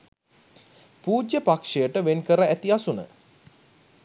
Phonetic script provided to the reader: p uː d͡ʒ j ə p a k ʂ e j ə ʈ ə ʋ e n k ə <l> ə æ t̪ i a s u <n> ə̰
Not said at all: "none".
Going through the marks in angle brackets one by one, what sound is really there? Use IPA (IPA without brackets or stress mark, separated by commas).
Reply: ɾ, n